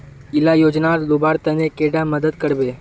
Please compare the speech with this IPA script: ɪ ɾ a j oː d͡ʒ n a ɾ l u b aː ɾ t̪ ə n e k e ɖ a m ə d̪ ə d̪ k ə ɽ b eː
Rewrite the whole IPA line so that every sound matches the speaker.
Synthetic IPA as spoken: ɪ l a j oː d͡ʒ n a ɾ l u b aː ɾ t̪ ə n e k e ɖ a m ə d̪ ə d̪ k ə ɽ b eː